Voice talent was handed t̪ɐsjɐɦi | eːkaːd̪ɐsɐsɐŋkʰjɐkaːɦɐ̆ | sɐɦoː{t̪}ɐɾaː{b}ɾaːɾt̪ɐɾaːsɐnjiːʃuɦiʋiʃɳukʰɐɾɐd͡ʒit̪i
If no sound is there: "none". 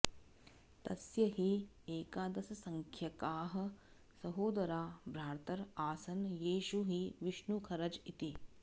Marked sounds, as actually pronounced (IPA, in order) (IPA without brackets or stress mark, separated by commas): d̪, b